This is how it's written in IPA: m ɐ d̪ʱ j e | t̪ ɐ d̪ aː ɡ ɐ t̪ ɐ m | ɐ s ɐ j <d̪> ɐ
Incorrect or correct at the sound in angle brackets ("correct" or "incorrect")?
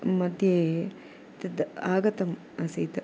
incorrect